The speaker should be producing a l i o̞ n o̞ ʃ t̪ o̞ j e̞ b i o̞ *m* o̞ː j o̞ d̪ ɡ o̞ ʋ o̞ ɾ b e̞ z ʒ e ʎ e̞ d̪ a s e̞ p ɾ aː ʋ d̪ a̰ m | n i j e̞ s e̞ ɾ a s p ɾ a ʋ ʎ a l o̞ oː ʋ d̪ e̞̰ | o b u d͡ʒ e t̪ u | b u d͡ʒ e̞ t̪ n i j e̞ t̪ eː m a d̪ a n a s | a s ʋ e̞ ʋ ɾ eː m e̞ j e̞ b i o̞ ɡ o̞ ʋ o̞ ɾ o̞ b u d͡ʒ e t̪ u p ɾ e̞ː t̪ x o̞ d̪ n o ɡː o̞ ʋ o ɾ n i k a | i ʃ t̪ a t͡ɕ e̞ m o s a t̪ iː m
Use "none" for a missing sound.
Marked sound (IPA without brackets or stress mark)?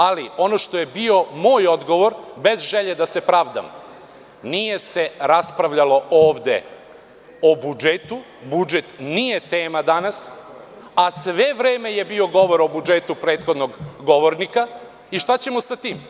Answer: m